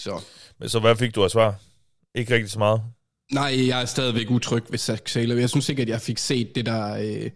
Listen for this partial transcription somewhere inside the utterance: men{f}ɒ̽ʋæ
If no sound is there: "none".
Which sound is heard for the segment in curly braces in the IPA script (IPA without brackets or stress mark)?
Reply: s